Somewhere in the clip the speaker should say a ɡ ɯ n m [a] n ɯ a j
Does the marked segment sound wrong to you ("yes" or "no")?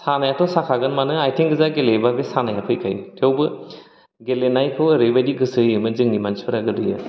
no